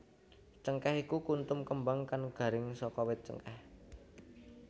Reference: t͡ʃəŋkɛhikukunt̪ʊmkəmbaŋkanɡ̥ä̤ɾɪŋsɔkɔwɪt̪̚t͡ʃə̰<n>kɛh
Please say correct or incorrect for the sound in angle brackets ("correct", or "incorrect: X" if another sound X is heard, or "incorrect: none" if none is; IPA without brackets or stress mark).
incorrect: ŋ